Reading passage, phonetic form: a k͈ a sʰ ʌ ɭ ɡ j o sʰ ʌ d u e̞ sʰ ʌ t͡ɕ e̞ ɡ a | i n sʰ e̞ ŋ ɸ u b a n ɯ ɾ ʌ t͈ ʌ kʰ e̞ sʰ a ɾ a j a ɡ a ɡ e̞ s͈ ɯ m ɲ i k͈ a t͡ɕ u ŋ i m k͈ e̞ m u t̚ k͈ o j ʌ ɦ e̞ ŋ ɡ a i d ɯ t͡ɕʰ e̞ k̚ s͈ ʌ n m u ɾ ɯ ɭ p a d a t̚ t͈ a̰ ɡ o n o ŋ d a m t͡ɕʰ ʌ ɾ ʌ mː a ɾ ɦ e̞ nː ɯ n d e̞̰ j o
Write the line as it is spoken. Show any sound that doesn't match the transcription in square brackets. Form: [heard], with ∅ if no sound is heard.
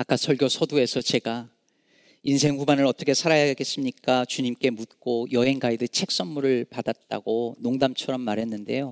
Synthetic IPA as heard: a k͈ a sʰ ʌ ɭ ɡ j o sʰ ʌ d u e̞ sʰ ʌ t͡ɕ e̞ ɡ a | i n sʰ e̞ ŋ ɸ u b a n ɯ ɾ ʌ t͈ ʌ kʰ e̞ sʰ a ɾ a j a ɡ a ɡ e̞ s͈ ɯ m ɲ i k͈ a t͡ɕ u [ɲ] i m k͈ e̞ m u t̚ k͈ o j ʌ ɦ e̞ ŋ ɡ a i d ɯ t͡ɕʰ e̞ k̚ s͈ ʌ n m u ɾ ɯ ɭ p a d a t̚ t͈ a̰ ɡ o n o ŋ d a m t͡ɕʰ ʌ ɾ ʌ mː a ɾ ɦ e̞ nː ɯ n d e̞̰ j o